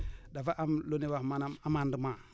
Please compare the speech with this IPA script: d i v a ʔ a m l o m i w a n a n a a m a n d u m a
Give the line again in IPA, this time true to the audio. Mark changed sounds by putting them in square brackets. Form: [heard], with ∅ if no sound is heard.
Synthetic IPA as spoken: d [a] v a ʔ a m l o [n] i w a [m] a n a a m a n d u m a